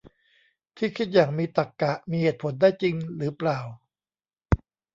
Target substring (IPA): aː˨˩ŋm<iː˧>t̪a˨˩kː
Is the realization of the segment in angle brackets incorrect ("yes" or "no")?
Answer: no